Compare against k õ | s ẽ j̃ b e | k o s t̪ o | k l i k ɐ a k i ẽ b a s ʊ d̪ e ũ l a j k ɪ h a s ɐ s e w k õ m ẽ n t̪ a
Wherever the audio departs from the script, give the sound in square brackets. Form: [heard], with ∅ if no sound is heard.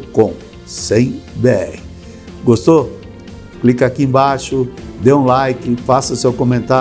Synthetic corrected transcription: k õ | s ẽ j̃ b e | [ɡ] o s t̪ o | k l i k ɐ a k i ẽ b a [ʃ] ʊ d̪ e ũ l a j k ɪ [f] a s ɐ s e w k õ m ẽ n t̪ a